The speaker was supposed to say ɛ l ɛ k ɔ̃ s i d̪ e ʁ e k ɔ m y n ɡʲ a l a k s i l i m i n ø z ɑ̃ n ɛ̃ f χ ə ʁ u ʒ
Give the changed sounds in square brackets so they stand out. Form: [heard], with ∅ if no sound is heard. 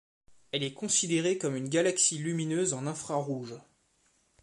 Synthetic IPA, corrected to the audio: ɛ l ɛ k ɔ̃ s i d̪ e ʁ e k ɔ m y n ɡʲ a l a k s i l [y] m i n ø z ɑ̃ n ɛ̃ f χ [a] ʁ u ʒ